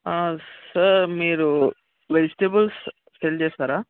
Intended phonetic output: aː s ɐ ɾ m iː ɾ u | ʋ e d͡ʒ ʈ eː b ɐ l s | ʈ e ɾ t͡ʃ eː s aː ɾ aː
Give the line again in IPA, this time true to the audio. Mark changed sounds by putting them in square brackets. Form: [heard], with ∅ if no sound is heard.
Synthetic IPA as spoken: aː s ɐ ɾ m iː ɾ u | ʋ e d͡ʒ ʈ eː b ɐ l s | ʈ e [l] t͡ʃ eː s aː ɾ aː